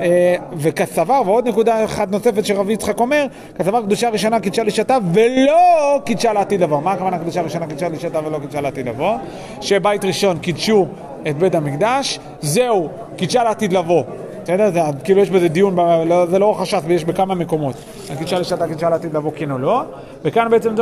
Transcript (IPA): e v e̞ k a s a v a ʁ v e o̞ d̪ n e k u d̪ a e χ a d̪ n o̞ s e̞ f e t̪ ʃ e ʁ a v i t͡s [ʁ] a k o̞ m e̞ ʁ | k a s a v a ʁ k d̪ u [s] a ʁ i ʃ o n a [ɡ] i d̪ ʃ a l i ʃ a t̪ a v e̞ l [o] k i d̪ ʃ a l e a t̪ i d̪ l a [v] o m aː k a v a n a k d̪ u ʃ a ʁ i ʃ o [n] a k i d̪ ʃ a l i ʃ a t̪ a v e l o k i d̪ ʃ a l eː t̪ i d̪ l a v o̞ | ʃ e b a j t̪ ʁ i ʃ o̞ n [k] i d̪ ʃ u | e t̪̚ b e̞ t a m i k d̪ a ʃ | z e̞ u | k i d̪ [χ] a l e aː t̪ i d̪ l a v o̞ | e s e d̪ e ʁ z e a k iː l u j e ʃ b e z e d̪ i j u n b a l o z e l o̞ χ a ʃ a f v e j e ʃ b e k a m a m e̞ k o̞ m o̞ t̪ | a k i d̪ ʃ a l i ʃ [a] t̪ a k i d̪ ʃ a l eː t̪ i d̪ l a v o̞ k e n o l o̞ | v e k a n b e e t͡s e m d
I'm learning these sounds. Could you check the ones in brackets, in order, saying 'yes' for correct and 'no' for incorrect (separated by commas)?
no, no, no, yes, yes, yes, yes, no, yes